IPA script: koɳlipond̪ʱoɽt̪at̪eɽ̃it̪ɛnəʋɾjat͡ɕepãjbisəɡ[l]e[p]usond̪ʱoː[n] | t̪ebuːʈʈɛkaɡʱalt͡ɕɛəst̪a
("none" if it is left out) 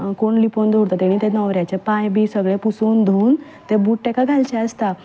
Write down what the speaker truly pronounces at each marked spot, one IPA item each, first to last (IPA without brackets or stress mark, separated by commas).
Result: ɭ, p, n